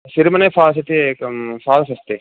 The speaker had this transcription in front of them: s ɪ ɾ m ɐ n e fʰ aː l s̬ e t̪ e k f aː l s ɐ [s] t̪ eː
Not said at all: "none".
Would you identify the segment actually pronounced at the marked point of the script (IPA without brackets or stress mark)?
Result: s